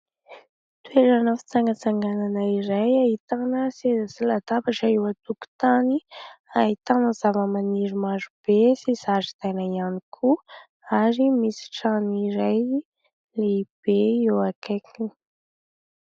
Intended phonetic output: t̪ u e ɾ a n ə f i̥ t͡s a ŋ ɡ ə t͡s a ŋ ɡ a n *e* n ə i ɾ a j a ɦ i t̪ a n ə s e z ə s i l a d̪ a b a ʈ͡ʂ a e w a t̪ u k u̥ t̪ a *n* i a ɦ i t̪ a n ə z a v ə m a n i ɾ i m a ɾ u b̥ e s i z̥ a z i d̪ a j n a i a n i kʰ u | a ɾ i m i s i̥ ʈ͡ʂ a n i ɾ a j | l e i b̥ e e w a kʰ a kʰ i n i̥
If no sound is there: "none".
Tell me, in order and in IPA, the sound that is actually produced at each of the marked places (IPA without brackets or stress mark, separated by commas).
a, n